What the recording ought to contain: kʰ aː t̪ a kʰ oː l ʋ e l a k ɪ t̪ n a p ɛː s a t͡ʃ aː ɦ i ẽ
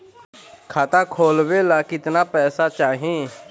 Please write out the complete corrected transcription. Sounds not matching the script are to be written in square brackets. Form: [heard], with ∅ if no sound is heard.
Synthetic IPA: kʰ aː t̪ a kʰ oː l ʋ e l a k ɪ t̪ n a p ɛː s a t͡ʃ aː ɦ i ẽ